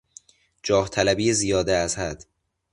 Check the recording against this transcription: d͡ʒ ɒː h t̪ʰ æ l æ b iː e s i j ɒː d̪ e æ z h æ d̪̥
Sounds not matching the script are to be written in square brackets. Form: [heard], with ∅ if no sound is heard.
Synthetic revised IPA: d͡ʒ ɒː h t̪ʰ æ l æ b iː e [z] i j ɒː d̪ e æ z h æ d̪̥